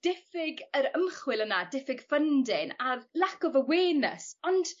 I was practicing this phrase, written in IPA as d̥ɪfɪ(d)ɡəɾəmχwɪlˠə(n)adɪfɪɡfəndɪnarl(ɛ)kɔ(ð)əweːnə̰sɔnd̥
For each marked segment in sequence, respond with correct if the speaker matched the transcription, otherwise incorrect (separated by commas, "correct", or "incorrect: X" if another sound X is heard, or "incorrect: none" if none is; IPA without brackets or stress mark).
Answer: incorrect: none, correct, incorrect: a, incorrect: v